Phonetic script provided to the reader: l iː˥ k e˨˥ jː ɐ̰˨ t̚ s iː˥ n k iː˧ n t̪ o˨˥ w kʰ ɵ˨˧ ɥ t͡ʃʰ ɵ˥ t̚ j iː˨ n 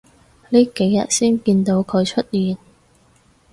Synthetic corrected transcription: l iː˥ k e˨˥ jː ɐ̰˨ t̚ s iː˥ n k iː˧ n t̪ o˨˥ w kʰ ɵ˨˧ ɥ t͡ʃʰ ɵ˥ t̚ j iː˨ n